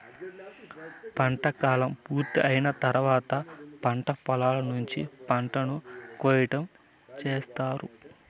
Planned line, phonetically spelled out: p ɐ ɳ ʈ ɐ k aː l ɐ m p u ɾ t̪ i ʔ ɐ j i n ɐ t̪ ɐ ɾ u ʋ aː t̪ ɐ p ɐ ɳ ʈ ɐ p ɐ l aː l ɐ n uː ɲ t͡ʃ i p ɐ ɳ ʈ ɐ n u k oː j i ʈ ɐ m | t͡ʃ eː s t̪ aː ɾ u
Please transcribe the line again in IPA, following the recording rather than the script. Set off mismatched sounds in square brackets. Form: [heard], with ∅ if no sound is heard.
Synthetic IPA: p ɐ ɳ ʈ ɐ k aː l ɐ m p [uː] ɾ t̪ i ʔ ɐ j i n ɐ t̪ ɐ ɾ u ʋ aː t̪ ɐ p ɐ ɳ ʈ ɐ p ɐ l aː l ɐ n [u] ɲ t͡ʃ i p ɐ ɳ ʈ ɐ n u k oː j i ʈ ɐ m | t͡ʃ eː s t̪ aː ɾ u